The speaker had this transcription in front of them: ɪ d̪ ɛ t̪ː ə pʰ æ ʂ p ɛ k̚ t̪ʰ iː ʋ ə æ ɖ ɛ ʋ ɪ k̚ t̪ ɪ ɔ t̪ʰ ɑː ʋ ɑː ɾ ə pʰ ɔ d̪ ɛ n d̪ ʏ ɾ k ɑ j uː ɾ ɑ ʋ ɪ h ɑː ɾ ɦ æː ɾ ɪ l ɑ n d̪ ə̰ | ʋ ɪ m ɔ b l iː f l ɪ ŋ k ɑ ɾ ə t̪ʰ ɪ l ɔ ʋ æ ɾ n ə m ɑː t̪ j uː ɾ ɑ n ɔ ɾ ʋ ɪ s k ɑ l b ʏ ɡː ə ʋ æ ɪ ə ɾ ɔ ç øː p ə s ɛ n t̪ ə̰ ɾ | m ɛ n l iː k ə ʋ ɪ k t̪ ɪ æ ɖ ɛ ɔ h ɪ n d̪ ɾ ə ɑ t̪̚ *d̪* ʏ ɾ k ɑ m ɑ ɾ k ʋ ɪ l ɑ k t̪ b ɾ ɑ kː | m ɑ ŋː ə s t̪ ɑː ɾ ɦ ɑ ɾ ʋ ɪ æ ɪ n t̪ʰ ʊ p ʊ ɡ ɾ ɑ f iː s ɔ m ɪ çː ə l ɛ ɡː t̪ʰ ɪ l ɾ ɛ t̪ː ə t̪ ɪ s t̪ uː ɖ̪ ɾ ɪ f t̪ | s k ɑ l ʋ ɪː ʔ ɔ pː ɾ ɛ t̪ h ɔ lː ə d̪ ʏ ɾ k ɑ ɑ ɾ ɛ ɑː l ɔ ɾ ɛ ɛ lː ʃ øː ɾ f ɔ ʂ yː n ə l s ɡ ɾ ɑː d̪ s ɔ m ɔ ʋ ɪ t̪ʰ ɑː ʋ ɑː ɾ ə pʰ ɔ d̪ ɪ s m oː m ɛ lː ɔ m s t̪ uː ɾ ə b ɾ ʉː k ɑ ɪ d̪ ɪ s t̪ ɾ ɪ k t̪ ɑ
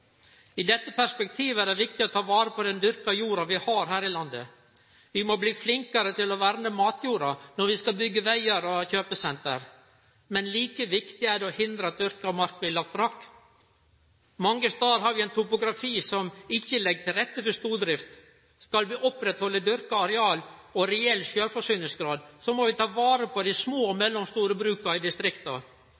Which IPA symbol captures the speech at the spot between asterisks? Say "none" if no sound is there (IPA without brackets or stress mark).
d̪